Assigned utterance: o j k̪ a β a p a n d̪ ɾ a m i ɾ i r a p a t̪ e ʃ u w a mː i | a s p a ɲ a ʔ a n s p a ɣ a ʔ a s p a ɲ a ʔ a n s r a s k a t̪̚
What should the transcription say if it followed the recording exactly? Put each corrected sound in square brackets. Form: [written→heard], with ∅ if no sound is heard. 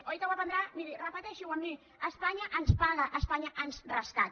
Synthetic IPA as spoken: o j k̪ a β a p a n d̪ ɾ a m i ɾ i r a p a t̪ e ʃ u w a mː i | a s p a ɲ a ʔ a n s p a ɣ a ʔ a s p a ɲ a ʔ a n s r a s k a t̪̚